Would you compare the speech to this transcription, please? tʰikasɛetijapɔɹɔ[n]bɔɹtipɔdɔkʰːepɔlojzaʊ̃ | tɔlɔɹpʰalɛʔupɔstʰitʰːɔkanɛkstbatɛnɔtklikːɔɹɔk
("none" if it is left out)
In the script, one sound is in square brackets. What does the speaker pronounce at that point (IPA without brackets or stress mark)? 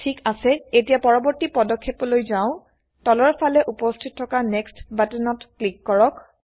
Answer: none